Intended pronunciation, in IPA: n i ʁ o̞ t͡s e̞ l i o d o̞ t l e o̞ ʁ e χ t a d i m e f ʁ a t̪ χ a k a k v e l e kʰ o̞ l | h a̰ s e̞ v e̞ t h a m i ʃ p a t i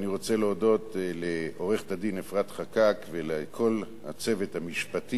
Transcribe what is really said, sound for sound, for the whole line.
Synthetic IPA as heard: n i ʁ o̞ t͡s e̞ l e o d o̞ t l e o̞ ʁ e χ t a d i n e f ʁ a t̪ χ a k a k v e l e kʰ o̞ l | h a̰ t͡s e̞ v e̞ t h a m i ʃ p a t i